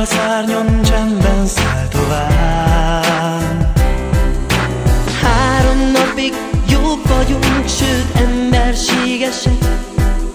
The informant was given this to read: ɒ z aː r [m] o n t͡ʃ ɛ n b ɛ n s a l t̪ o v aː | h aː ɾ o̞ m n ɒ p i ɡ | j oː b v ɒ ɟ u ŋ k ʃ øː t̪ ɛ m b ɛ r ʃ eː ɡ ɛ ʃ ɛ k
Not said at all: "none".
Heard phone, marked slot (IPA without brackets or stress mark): ɲ